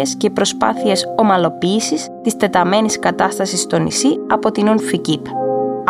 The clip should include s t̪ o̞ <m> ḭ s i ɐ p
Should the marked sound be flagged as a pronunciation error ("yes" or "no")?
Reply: yes